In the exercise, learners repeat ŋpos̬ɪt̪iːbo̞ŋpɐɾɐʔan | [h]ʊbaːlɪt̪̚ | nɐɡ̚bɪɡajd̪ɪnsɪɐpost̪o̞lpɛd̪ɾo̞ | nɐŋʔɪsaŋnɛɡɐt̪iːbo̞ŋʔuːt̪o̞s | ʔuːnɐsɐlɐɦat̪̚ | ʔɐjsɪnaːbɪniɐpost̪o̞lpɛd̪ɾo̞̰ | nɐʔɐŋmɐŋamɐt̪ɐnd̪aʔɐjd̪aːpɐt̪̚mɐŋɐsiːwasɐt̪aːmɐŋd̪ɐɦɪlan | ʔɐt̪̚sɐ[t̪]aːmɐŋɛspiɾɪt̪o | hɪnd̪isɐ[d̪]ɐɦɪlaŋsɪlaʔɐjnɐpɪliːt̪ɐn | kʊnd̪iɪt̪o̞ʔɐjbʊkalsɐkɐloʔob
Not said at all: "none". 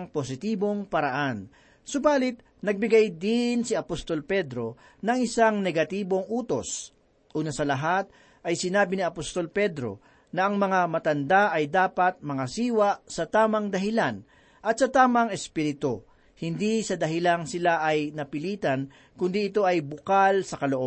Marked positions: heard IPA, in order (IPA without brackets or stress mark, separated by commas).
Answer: s, t̪, d̪